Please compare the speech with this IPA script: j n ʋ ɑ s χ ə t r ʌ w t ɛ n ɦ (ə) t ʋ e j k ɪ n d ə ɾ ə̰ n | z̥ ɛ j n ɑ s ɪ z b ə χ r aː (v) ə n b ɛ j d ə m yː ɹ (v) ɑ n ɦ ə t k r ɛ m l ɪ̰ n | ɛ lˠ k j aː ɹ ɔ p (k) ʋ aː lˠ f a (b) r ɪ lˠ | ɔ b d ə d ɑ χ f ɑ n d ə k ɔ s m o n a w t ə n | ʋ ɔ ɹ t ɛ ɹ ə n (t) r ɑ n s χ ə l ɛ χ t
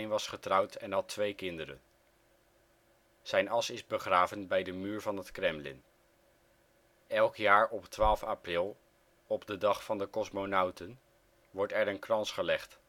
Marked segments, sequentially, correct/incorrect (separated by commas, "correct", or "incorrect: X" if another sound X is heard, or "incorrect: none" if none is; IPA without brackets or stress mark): incorrect: ɑ, correct, correct, incorrect: t, incorrect: p, incorrect: k